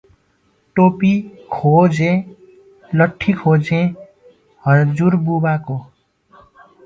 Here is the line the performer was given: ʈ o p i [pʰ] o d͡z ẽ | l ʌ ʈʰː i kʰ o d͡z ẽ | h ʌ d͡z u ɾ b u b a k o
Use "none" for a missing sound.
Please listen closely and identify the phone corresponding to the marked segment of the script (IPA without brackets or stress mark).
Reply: kʰ